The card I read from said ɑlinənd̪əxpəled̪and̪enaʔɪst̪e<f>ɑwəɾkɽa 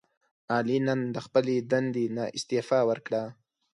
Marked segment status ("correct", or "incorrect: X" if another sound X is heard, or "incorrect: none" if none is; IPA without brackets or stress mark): correct